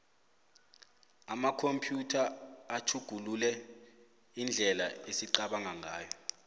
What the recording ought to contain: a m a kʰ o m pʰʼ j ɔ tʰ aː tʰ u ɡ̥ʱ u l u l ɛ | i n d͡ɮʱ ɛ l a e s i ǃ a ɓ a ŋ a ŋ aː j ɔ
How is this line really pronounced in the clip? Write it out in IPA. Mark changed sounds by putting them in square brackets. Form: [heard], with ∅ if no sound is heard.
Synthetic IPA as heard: a m a kʰ o m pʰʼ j [u] tʰ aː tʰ u ɡ̥ʱ u l u l ɛ | i n d͡ɮʱ ɛ l a e s i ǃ a ɓ a ŋ a ŋ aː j ɔ